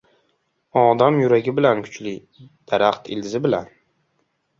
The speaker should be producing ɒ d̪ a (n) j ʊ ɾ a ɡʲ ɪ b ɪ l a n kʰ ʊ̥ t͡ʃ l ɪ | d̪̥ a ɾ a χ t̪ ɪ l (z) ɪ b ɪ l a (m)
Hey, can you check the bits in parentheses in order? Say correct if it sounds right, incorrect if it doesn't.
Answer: incorrect: m, correct, incorrect: n

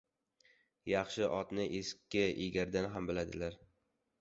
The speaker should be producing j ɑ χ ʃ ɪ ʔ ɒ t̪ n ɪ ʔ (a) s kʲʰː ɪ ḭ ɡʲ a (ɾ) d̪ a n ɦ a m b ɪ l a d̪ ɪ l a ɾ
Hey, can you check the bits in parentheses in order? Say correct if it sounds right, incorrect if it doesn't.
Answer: incorrect: e, correct

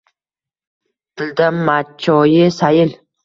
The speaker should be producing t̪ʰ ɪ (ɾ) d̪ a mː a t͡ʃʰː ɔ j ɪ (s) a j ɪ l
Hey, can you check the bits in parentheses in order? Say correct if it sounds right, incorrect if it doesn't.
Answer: incorrect: l, correct

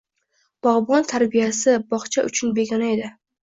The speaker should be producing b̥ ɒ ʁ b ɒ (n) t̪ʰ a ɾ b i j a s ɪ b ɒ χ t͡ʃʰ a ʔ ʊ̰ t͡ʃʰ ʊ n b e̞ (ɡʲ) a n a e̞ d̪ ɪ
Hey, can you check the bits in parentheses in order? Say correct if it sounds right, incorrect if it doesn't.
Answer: correct, correct

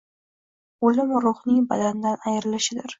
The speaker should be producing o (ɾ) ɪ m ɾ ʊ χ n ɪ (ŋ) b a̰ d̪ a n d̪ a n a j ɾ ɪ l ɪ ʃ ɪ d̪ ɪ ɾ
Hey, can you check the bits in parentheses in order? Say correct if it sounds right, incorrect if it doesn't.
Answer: incorrect: l, correct

